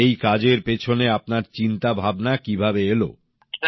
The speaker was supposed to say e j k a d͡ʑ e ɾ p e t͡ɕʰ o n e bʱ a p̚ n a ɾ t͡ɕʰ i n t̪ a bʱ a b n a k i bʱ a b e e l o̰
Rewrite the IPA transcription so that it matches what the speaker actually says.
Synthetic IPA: e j k a d͡ʑ e ɾ p e t͡ɕʰ o n e a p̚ n a ɾ t͡ɕ i n t̪ a bʱ a b n a k i bʱ a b e e l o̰